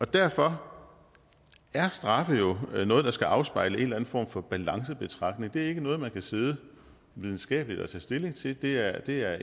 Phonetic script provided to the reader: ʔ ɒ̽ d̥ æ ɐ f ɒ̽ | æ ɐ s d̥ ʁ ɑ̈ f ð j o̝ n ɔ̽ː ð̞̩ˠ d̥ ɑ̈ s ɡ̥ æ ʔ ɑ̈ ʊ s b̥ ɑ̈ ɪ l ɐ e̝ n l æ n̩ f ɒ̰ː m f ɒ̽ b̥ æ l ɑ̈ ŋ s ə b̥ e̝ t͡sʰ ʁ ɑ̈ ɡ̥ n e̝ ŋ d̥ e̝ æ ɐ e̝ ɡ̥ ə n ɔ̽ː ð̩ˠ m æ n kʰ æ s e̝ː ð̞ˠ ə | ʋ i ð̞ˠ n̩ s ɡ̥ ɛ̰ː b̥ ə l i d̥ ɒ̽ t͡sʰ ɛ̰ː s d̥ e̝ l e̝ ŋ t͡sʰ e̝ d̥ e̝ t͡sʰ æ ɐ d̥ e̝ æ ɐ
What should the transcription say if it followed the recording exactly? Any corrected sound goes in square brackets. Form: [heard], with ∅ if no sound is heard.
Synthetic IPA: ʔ ɒ̽ d̥ æ ɐ f ɒ̽ | æ ɐ s d̥ ʁ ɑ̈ f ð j o̝ n ɔ̽ː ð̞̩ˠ d̥ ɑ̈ s ɡ̥ æ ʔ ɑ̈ ʊ s b̥ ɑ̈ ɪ l [ə] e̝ n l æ n̩ f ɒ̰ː m f ɒ̽ b̥ æ l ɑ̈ ŋ s ə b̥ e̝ t͡sʰ ʁ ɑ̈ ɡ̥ n e̝ ŋ d̥ e̝ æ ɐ e̝ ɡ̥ ə n ɔ̽ː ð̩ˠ m æ n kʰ æ s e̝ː ð̞ˠ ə | ʋ i ð̞ˠ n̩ s ɡ̥ ɛ̰ː b̥ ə l i d̥ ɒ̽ t͡sʰ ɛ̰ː s d̥ e̝ l e̝ ŋ t͡sʰ e̝ d̥ e̝ [∅] æ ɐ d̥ e̝ æ ɐ